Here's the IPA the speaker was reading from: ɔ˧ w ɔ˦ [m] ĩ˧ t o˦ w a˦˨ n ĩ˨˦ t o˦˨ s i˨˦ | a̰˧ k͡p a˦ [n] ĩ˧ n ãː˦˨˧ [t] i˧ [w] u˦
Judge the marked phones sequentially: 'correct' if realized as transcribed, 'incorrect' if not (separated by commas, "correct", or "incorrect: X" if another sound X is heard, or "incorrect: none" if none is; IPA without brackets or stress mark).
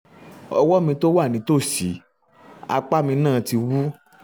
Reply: correct, incorrect: m, correct, correct